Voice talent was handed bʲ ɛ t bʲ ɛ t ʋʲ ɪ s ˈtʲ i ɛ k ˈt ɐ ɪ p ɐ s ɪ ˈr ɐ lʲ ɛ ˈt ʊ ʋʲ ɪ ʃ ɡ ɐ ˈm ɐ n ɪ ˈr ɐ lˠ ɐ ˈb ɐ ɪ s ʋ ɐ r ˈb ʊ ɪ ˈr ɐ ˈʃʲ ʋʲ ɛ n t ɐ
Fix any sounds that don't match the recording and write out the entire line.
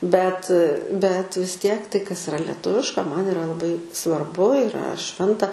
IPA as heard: bʲ ɛ t bʲ ɛ t ʋʲ ɪ s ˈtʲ i ɛ k ˈt ɐ ɪ k ɐ s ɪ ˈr ɐ lʲ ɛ ˈt ʊ ʋʲ ɪ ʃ k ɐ ˈm ɐ n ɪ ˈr ɐ lˠ ɐ ˈb ɐ ɪ s ʋ ɐ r ˈb ʊ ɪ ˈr ɐ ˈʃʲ ʋʲ ɛ n t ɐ